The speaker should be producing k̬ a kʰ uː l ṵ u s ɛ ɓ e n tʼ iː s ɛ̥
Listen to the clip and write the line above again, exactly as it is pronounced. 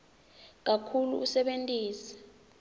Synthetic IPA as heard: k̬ a kʰ u l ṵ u s ɛ ɓ e n tʼ iː s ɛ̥